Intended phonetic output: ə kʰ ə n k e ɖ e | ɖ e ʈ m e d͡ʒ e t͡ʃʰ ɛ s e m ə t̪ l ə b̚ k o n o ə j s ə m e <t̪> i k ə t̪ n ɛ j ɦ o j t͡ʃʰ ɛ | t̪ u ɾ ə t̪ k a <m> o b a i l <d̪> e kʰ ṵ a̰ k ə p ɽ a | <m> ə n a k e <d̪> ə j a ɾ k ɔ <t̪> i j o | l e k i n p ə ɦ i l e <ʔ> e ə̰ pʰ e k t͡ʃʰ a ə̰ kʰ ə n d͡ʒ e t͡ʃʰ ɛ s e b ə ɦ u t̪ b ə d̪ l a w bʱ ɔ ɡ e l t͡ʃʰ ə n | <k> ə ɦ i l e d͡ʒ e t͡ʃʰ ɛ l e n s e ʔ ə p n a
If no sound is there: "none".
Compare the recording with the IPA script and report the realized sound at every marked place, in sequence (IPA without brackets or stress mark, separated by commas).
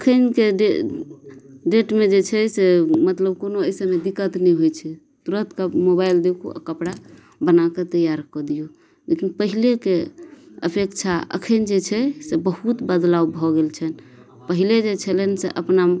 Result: d̪, m, d̪, b, t̪, d̪, k, p